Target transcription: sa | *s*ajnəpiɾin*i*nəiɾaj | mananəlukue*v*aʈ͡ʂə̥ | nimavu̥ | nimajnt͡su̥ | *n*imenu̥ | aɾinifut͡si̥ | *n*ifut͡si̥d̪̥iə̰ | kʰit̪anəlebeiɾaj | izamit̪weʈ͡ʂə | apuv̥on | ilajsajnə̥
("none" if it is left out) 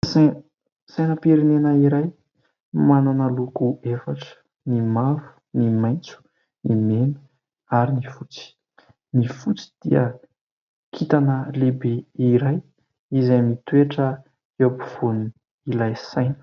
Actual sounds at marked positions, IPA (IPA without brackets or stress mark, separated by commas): s, e, f, n, n